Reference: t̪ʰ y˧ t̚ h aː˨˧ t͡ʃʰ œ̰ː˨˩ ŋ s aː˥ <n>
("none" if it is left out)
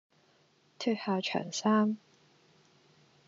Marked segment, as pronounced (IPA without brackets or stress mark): m